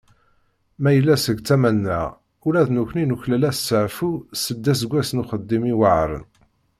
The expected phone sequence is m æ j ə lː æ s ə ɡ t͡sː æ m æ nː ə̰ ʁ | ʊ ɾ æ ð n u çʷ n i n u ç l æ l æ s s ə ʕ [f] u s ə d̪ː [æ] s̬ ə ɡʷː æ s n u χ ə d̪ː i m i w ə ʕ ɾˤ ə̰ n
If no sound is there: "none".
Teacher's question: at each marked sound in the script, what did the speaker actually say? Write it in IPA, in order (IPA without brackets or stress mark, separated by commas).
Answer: f, æ